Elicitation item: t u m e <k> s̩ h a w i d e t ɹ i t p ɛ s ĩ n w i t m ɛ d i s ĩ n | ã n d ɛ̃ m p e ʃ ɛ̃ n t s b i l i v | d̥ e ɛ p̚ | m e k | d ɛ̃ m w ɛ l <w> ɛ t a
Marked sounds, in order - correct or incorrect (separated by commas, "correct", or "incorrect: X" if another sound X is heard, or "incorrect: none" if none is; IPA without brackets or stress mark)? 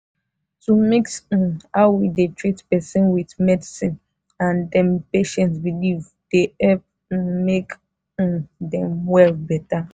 correct, incorrect: b